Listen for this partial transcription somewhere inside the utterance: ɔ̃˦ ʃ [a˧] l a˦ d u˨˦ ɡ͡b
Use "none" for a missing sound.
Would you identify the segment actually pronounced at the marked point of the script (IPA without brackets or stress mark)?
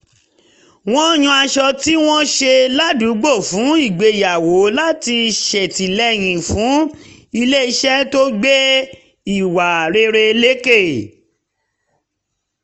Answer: e˧